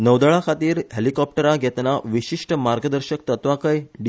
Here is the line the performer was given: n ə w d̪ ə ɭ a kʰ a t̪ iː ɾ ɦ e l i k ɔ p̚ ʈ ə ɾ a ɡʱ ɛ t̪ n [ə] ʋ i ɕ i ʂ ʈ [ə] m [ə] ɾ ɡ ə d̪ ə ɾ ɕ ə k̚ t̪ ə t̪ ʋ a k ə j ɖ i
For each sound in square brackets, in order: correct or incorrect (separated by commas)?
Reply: incorrect, correct, incorrect